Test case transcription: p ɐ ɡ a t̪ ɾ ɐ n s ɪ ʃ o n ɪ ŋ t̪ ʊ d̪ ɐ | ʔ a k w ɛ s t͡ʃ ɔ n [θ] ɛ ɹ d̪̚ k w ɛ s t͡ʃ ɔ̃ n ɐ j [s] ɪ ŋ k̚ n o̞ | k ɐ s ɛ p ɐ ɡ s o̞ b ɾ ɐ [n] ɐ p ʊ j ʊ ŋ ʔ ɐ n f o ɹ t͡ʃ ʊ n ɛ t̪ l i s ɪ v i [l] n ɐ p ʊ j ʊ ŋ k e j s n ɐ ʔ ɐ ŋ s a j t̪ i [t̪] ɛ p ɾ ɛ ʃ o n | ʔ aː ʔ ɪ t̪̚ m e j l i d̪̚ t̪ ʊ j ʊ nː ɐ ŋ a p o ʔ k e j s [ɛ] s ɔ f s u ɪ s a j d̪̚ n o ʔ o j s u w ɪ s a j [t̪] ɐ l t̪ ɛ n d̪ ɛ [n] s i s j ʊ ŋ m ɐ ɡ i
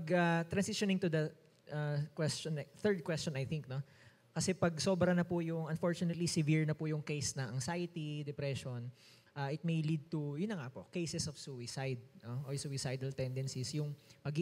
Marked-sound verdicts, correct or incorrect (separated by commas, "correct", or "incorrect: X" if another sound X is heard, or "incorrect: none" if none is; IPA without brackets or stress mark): correct, incorrect: θ, correct, incorrect: ɹ, incorrect: d̪, correct, incorrect: d̪, correct